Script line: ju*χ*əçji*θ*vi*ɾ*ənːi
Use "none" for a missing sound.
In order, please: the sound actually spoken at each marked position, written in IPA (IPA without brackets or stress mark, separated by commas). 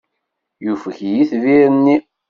f, θ, ɾ